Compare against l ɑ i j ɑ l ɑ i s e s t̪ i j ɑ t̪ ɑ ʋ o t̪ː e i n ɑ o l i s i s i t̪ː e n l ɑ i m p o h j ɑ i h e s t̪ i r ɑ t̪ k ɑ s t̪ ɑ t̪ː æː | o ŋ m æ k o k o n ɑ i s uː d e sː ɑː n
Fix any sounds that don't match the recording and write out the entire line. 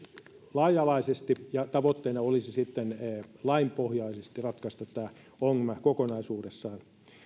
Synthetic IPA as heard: l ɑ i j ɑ l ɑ i s e s t̪ i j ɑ t̪ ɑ ʋ o t̪ː e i n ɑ o l i s i s i t̪ː e n l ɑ i m p o h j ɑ i s e s t̪ i r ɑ t̪ k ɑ s t̪ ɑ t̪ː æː | o ŋ m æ k o k o n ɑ i s uː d e sː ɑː n